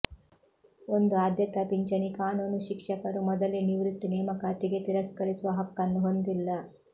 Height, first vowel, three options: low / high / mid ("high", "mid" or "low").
mid